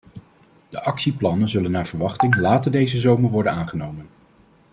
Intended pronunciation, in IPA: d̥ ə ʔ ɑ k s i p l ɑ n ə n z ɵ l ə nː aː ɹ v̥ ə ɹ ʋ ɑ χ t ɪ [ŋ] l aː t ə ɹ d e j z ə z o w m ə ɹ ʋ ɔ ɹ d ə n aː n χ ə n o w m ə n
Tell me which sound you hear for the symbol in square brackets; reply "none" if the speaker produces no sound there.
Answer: ŋ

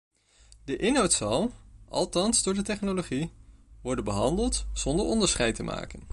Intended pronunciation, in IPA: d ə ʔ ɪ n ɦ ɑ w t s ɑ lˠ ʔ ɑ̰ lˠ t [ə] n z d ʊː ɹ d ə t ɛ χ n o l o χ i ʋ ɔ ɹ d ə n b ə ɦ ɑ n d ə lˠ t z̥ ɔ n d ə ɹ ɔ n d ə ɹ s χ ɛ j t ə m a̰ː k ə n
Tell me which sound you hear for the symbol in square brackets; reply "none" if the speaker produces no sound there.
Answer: ɑ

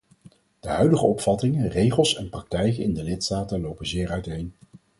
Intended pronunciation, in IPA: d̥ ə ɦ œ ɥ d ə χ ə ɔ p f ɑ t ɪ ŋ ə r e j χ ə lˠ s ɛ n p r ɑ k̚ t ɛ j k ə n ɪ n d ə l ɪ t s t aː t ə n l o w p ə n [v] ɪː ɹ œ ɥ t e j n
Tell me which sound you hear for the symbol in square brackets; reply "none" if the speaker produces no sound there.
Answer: z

